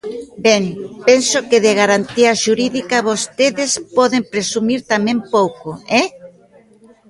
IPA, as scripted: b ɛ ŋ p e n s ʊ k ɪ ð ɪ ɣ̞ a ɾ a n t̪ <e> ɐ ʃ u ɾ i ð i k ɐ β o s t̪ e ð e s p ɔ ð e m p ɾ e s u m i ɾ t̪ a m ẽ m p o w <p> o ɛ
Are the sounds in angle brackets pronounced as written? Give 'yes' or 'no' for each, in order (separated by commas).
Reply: no, no